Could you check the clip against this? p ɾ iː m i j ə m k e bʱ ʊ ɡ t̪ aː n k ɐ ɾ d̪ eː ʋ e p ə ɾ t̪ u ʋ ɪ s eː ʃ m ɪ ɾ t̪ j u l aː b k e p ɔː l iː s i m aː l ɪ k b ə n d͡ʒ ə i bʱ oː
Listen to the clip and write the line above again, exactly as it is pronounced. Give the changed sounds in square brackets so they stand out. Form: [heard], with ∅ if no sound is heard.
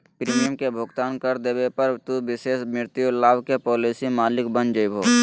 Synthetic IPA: p ɾ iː m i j ə m k e bʱ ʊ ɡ t̪ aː n k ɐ ɾ d̪ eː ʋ e p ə ɾ t̪ u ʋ ɪ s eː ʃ m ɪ ɾ t̪ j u l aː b k e p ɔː l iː s i m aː l ɪ k b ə n d͡ʒ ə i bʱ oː